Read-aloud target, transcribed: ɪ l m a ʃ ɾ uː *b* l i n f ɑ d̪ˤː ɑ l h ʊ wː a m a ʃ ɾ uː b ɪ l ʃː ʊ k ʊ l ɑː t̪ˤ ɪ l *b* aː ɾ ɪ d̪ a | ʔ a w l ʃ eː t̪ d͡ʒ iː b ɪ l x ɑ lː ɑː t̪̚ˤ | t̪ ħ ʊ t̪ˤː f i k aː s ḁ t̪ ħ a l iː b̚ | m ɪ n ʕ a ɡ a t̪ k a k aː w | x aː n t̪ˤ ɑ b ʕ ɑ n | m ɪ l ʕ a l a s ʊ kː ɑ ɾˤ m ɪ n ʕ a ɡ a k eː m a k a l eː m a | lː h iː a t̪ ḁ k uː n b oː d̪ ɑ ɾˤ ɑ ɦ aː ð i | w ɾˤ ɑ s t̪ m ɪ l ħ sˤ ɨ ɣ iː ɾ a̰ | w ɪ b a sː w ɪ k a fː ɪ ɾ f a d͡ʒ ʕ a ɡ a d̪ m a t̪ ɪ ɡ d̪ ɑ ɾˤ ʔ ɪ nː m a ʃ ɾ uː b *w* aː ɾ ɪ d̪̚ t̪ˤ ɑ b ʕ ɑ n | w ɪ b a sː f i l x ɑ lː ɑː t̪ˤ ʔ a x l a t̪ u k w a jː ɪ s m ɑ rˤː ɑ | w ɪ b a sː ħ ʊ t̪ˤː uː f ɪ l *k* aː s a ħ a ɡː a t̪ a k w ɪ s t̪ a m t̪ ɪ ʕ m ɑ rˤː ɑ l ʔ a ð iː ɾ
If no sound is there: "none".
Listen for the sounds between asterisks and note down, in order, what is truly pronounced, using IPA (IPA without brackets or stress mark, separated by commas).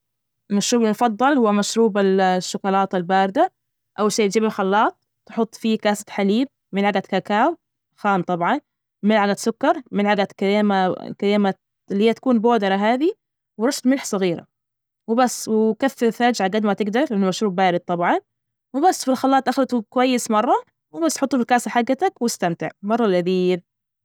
b, b, b, k